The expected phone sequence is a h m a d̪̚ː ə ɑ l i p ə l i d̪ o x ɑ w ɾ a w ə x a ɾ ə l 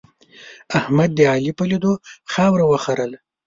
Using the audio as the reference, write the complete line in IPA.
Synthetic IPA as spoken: a h m a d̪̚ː ə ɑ l i p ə l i d̪ o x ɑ w ɾ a w ə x a ɾ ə l